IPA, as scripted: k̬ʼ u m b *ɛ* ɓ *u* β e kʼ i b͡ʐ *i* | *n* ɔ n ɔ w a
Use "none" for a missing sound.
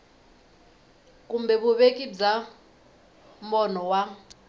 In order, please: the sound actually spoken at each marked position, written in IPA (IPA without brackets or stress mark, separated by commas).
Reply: ɛ, u, a, m